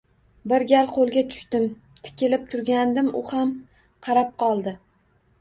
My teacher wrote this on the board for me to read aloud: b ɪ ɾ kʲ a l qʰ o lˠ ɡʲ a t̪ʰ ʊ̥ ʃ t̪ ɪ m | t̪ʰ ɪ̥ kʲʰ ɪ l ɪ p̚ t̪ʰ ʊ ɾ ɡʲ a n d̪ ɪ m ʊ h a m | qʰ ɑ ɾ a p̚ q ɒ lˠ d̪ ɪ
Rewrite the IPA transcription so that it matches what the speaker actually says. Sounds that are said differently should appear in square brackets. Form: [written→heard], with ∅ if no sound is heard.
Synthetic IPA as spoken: b ɪ ɾ [kʲ→ɡʲ] a l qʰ o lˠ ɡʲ a t̪ʰ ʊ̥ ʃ t̪ ɪ m | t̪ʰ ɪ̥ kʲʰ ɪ l ɪ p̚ t̪ʰ ʊ ɾ ɡʲ a n d̪ ɪ m ʊ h a m | qʰ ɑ ɾ a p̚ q ɒ lˠ d̪ ɪ

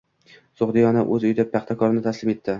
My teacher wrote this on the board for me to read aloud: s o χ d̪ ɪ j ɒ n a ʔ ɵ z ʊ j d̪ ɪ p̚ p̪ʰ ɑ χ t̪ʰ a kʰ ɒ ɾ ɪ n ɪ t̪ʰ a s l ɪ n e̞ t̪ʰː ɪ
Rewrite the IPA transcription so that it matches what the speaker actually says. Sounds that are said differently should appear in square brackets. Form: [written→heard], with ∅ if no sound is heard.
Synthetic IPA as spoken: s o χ d̪ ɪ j ɒ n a ʔ ɵ z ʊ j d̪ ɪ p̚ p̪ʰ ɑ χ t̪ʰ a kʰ ɒ ɾ ɪ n ɪ t̪ʰ a s l ɪ [n→m] e̞ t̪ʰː ɪ

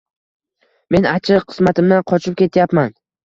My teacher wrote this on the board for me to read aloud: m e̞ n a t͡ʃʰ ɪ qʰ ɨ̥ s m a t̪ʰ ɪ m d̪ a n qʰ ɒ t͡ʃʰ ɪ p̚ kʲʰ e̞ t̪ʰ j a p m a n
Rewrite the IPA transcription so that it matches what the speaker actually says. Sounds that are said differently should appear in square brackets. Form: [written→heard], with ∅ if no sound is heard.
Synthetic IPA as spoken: m e̞ n a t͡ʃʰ ɪ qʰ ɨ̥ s m a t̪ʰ ɪ m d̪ a n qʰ ɒ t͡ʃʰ ɪ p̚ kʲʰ e̞ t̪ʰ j a p m a n

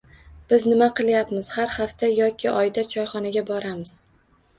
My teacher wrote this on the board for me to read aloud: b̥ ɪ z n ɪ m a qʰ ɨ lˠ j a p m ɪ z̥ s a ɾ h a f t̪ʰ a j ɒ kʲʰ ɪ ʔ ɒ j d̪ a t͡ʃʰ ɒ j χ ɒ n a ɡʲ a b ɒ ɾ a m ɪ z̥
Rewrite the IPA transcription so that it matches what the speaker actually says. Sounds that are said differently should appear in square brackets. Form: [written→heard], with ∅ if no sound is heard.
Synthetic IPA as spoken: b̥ ɪ z n ɪ m a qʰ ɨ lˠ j a p m ɪ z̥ [s→h] a ɾ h a f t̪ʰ a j ɒ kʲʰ ɪ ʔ ɒ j d̪ a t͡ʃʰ ɒ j χ ɒ n a ɡʲ a b ɒ ɾ a m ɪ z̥

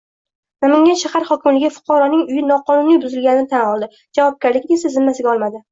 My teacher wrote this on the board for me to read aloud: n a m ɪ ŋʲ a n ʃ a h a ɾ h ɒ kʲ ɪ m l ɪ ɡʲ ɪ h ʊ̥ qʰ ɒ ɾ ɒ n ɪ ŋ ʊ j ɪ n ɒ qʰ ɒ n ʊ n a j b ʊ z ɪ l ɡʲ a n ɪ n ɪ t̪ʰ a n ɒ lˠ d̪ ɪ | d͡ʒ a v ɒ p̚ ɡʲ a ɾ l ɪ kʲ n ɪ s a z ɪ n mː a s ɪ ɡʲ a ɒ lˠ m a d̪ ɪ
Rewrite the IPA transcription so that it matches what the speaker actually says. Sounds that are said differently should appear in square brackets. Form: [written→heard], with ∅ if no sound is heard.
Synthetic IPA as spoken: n a m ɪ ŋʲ a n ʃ a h a ɾ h ɒ kʲ ɪ m l ɪ ɡʲ ɪ [h→f] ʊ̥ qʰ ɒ ɾ ɒ n ɪ ŋ ʊ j ɪ n ɒ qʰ ɒ n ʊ n [a→i] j b ʊ z ɪ l ɡʲ a n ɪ n ɪ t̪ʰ a n ɒ lˠ d̪ ɪ | d͡ʒ a v ɒ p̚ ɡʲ a ɾ l ɪ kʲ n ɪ s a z ɪ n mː a s ɪ ɡʲ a ɒ lˠ m a d̪ ɪ

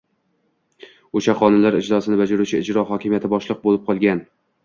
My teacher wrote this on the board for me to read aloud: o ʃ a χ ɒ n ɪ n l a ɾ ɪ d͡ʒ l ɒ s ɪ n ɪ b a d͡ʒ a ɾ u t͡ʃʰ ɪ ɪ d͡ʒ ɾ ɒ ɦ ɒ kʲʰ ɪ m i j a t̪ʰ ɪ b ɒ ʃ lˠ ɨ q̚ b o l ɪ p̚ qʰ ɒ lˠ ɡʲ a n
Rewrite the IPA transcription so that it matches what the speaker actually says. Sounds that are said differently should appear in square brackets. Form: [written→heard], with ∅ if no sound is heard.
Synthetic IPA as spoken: o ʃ a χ ɒ n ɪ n l a ɾ ɪ d͡ʒ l ɒ s ɪ n ɪ b a d͡ʒ a ɾ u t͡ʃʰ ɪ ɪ d͡ʒ ɾ ɒ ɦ ɒ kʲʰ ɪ m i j a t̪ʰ ɪ b ɒ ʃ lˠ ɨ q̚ b o l ɪ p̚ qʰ ɒ lˠ ɡʲ a n

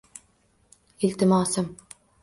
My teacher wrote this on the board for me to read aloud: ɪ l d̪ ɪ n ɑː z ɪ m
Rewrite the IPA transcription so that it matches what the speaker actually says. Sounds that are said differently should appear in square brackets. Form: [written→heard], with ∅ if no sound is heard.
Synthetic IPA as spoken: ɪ l [d̪→t̪] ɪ [n→m] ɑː [z→s] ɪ m

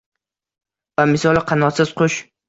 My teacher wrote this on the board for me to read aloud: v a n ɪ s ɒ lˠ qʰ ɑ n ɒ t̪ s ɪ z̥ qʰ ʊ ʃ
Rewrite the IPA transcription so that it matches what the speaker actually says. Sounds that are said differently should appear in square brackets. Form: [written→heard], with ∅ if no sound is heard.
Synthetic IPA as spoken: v a [n→m] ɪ s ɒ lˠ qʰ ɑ n ɒ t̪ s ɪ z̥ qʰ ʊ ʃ

